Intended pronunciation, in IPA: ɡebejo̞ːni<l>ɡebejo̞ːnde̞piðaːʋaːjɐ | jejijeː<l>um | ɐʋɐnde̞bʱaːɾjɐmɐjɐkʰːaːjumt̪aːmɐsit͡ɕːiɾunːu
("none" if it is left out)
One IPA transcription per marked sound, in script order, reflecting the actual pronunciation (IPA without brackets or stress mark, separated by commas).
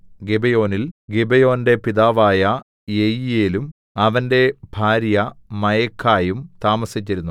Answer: l, l